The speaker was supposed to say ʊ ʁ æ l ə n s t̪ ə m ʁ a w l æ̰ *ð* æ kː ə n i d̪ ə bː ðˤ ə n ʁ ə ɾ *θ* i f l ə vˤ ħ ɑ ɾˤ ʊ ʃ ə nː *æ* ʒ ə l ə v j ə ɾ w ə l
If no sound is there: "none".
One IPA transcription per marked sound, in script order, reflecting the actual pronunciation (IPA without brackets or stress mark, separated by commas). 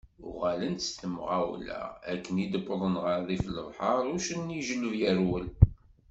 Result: none, ð, i